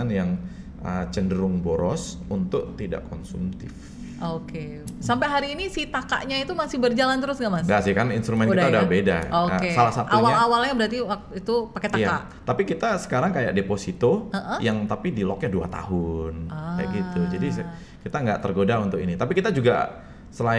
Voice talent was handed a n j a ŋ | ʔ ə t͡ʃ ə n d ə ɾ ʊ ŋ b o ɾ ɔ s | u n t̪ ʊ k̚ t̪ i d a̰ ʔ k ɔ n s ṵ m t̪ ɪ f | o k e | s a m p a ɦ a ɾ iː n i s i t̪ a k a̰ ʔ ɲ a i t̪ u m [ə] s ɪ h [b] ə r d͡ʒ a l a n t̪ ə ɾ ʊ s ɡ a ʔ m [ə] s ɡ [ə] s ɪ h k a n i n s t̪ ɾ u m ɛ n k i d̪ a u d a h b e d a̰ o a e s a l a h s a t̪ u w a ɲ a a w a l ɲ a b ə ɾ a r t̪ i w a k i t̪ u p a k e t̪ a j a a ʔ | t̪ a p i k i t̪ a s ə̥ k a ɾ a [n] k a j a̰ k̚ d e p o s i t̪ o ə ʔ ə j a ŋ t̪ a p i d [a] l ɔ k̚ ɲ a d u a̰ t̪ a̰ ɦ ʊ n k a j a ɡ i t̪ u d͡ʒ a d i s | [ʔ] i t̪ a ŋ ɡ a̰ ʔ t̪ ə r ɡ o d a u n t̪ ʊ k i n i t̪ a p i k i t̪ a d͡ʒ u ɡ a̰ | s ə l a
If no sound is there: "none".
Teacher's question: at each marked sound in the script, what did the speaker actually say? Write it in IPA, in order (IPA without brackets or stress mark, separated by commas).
a, b, a, a, ŋ, i, k